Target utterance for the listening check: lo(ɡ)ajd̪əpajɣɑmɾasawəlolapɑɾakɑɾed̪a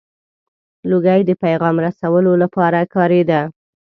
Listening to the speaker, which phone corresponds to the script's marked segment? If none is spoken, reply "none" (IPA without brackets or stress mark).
ɡ